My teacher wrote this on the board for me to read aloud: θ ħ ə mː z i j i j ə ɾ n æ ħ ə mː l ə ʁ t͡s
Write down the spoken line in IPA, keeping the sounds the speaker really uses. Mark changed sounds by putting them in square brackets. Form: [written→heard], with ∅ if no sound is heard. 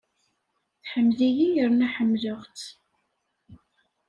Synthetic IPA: θ ħ ə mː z i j i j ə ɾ n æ ħ ə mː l ə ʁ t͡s